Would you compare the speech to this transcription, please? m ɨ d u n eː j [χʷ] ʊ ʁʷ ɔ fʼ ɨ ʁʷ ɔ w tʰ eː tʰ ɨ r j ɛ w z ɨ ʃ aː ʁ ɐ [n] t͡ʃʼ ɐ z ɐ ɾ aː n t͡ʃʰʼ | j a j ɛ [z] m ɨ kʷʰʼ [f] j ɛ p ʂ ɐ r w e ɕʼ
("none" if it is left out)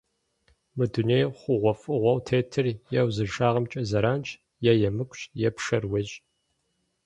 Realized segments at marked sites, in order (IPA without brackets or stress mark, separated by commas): χʷ, m, none, ɕ